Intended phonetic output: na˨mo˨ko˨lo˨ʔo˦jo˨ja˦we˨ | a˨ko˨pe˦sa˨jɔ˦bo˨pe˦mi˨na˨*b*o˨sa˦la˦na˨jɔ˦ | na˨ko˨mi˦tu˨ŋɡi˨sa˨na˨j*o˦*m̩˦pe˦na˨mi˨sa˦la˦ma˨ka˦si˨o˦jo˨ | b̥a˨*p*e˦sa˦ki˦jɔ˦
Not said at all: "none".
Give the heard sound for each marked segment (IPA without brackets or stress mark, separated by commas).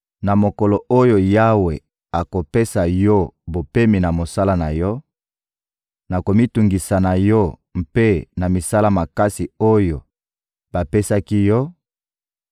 m, ɔ˦, p